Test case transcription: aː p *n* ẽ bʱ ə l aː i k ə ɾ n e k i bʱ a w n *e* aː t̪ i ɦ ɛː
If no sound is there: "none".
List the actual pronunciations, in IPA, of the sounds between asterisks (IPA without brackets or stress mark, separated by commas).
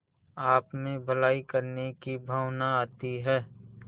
m, a